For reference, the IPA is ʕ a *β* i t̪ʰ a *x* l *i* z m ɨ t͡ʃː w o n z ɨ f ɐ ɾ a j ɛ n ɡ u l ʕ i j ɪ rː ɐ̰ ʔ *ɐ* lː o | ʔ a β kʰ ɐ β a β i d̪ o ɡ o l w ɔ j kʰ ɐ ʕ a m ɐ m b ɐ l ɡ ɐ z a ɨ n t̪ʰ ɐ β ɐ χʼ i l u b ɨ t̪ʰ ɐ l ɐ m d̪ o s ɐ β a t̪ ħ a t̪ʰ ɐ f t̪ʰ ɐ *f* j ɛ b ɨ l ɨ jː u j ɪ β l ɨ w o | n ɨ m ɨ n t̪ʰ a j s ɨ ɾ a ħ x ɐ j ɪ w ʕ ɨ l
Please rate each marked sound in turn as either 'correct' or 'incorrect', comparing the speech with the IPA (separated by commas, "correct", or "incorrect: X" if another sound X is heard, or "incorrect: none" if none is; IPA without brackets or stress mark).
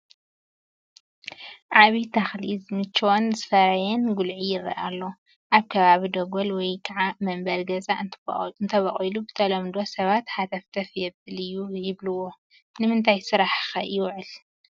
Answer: correct, correct, correct, incorrect: a, correct